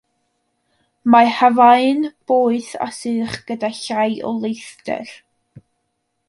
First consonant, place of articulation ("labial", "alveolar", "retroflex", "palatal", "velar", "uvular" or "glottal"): labial